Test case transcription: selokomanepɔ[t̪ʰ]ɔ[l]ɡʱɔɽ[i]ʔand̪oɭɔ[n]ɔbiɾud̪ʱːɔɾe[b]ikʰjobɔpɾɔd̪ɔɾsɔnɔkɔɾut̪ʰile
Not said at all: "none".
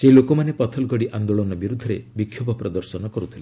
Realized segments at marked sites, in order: t̪ʰ, l, i, n, b

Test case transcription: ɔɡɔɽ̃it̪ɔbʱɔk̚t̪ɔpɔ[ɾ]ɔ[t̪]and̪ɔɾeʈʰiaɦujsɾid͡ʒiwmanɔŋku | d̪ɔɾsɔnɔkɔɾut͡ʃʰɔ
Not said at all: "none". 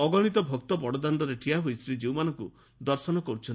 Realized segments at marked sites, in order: ɽ, d̪

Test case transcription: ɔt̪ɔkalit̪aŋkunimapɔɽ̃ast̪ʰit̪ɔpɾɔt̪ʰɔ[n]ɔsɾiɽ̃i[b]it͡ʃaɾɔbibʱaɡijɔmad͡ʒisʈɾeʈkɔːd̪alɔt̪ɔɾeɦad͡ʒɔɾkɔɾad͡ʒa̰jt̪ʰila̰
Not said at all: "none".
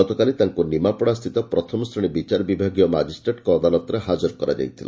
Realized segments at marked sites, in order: m, b

